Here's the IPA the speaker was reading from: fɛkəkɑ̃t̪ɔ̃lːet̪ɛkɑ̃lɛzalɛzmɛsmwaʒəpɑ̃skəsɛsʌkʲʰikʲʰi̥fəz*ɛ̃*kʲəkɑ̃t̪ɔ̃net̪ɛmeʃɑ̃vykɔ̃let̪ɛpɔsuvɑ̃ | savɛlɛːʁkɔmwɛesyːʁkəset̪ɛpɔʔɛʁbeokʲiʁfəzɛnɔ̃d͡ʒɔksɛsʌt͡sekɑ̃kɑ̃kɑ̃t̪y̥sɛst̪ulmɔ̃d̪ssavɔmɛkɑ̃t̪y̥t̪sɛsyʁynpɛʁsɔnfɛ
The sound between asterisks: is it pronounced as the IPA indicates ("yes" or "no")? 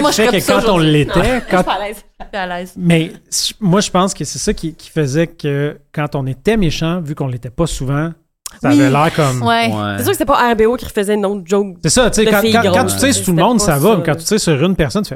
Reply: no